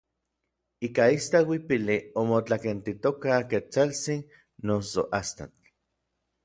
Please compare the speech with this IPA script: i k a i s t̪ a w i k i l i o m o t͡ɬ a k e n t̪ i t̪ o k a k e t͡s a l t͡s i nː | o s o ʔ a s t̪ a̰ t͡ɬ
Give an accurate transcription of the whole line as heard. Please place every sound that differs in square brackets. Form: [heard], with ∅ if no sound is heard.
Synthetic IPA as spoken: i k a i s t̪ a w i [p] i l i o m o t͡ɬ a k e n t̪ i t̪ o k a k e t͡s a l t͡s i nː | o s o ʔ a s t̪ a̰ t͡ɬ